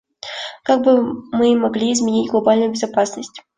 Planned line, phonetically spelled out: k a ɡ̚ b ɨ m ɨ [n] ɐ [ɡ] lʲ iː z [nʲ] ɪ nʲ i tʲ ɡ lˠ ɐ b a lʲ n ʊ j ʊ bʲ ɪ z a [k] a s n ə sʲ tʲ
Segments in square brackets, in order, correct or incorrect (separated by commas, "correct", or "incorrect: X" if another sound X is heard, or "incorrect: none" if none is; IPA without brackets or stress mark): incorrect: m, correct, incorrect: mʲ, incorrect: p